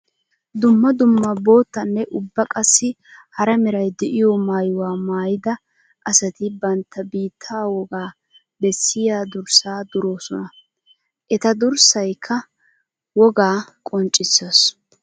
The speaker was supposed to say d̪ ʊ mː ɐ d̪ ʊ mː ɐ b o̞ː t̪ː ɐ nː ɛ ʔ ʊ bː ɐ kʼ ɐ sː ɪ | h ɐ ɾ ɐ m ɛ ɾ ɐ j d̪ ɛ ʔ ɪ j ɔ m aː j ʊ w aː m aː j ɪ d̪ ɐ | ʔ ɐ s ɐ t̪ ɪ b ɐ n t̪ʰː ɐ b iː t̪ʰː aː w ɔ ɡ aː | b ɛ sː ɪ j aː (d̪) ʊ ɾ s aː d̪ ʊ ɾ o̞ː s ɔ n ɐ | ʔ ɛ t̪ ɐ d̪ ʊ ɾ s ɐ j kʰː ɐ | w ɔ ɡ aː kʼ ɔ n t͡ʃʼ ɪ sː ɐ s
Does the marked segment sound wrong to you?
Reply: no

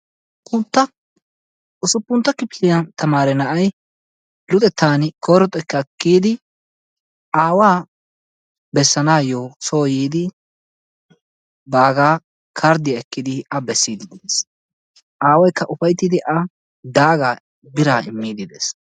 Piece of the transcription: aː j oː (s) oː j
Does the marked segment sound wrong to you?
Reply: no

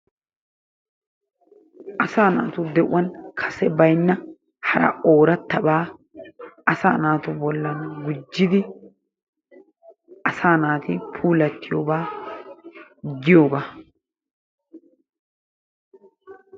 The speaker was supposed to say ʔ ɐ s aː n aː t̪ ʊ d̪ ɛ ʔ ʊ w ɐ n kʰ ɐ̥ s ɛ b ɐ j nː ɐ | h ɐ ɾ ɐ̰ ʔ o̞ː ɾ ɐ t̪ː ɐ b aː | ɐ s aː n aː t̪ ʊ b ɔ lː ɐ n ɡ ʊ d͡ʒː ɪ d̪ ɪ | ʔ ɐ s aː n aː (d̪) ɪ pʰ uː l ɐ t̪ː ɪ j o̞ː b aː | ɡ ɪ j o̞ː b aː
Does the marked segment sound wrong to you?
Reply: yes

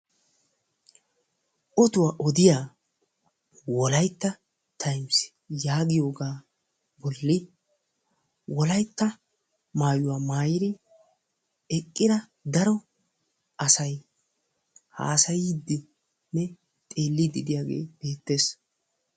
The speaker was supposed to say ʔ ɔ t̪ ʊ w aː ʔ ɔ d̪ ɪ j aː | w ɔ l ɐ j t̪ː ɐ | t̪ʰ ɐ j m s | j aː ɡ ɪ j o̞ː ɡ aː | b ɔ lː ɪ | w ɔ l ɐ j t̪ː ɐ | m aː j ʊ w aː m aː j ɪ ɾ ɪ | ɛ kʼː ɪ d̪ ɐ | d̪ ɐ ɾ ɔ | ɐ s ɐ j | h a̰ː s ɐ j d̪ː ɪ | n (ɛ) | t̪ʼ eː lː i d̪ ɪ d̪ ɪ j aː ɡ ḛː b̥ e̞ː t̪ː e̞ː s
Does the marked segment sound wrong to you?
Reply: no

